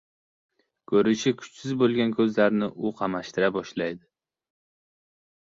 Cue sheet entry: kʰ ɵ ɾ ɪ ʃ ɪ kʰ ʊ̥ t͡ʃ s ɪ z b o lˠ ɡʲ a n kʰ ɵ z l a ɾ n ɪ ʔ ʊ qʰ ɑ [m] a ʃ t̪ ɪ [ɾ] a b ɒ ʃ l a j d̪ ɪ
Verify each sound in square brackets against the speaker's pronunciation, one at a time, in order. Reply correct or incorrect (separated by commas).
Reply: correct, correct